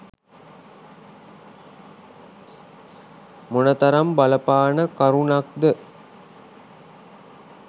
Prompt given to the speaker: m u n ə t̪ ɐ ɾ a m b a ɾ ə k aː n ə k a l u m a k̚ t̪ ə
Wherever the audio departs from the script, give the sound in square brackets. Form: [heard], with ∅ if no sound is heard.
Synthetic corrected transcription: m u n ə t̪ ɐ ɾ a m b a [l] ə [p] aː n ə k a [ɾ] u [n] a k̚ [d̪] ə